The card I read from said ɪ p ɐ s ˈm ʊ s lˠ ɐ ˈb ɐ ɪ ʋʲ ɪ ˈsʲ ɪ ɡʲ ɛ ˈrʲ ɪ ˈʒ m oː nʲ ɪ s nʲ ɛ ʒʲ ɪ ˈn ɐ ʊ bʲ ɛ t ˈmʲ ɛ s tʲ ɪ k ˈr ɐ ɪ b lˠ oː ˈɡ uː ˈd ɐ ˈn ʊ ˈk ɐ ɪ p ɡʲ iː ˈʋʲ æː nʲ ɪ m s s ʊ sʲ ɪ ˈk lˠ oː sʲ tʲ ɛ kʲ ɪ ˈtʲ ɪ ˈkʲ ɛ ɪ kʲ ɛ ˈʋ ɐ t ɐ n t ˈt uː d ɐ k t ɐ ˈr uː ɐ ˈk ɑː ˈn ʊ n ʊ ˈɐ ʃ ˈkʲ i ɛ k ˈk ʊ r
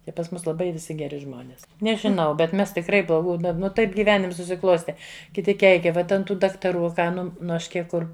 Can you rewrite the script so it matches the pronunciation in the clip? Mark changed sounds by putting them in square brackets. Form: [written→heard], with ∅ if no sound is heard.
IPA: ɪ p ɐ s ˈm ʊ s lˠ ɐ ˈb ɐ ɪ ʋʲ ɪ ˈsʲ ɪ ɡʲ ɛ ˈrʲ ɪ ˈʒ m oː nʲ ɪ s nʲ ɛ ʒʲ ɪ ˈn ɐ ʊ bʲ ɛ t ˈmʲ ɛ s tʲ ɪ k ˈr ɐ ɪ b lˠ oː ˈɡ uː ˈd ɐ ˈn ʊ [ˈk→ˈt] ɐ ɪ p ɡʲ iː ˈʋʲ æː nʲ ɪ m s s ʊ sʲ ɪ ˈk lˠ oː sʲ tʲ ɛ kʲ ɪ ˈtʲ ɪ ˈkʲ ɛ ɪ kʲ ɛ ˈʋ ɐ t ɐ n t ˈt uː d ɐ k t ɐ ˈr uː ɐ ˈk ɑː ˈn ʊ n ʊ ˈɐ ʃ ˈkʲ i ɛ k ˈk ʊ r